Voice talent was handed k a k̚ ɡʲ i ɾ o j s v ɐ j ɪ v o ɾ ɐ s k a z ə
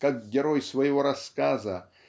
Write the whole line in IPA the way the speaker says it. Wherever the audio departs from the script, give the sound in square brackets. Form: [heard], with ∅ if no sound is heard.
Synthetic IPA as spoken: k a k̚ ɡʲ [ɪ] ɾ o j s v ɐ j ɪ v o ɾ ɐ s k a z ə